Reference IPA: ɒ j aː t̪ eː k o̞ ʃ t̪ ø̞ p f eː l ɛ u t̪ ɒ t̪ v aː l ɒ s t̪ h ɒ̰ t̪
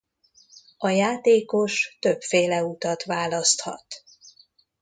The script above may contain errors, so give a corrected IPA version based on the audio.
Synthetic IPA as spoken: ɒ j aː t̪ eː k o̞ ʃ t̪ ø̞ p f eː l ɛ u t̪ ɒ t̪ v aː l ɒ s t̪ h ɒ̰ t̪